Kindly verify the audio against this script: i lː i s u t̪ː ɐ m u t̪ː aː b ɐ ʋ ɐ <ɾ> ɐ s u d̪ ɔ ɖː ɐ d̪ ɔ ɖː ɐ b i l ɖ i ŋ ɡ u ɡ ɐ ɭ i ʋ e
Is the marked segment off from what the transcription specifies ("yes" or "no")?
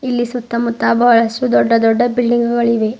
yes